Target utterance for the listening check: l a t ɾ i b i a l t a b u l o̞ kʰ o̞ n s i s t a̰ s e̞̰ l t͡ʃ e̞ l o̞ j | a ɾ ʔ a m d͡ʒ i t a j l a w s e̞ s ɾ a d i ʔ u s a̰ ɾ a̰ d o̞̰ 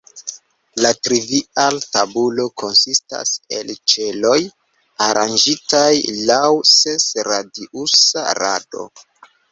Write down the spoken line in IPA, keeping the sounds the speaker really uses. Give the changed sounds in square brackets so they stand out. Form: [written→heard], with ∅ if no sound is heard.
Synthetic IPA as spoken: l a t ɾ i [b→v] i a l t a b u l o̞ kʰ o̞ n s i s t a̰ s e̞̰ l t͡ʃ e̞ l o̞ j | a ɾ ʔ a [m→n] d͡ʒ i t a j l a w s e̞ s ɾ a d i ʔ u s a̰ ɾ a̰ d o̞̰